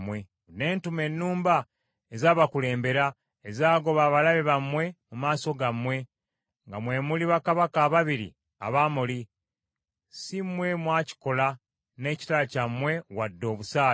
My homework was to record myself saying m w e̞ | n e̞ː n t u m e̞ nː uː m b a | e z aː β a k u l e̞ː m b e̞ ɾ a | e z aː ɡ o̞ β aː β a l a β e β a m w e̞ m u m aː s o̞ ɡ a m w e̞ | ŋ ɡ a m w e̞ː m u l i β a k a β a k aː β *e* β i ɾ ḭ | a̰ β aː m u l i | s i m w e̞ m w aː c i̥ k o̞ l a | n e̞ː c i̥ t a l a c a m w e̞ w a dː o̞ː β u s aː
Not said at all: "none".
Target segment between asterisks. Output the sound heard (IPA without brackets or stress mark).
a